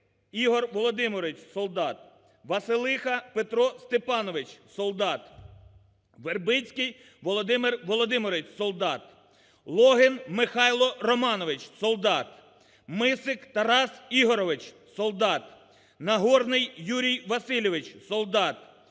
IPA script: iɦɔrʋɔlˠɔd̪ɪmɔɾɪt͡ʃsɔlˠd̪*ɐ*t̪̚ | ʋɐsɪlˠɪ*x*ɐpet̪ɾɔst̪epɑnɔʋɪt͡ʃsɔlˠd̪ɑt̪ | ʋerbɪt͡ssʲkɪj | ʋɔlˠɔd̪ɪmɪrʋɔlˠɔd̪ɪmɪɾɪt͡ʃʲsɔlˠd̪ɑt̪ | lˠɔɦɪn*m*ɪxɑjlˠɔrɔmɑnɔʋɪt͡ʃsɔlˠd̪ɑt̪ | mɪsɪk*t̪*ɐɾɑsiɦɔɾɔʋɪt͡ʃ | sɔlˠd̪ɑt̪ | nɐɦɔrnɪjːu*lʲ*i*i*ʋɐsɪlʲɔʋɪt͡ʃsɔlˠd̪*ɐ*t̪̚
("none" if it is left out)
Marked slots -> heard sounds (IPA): ɑ, x, m, t̪, ɾʲ, j, ɑ

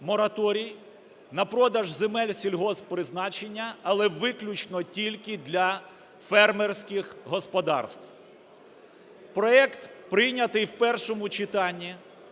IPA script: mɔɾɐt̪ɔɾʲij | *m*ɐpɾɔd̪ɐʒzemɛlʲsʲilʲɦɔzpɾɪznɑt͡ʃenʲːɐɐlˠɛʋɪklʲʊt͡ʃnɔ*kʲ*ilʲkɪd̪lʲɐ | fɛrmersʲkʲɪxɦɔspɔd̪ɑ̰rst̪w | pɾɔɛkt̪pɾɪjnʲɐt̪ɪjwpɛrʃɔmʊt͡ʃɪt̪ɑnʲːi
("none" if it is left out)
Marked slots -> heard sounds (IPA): n, tʲ

